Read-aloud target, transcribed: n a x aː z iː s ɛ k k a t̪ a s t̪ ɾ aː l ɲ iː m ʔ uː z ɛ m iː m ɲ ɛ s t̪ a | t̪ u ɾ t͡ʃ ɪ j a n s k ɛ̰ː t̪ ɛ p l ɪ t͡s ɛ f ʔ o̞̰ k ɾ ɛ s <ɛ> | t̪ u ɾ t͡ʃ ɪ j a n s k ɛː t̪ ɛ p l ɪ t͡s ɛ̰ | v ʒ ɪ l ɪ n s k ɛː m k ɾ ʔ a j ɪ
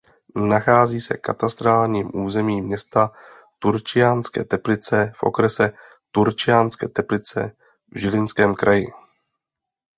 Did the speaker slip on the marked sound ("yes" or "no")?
no